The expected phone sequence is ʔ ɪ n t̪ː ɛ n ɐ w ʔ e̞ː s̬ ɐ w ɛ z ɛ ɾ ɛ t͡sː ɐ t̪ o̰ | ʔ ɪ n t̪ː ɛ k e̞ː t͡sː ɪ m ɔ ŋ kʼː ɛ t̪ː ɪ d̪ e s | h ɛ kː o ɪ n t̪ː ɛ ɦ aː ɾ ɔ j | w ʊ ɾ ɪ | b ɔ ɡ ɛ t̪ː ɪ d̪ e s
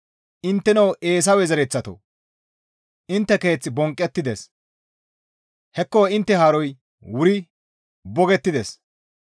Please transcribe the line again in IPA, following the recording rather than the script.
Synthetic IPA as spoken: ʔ ɪ n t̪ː ɛ n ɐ w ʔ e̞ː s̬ ɐ w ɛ z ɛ ɾ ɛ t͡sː ɐ t̪ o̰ | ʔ ɪ n t̪ː ɛ k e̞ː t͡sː ɪ b ɔ ŋ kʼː ɛ t̪ː ɪ d̪ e s | h ɛ kː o ɪ n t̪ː ɛ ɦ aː ɾ ɔ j | w ʊ ɾ ɪ | b ɔ ɡ ɛ t̪ː ɪ d̪ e s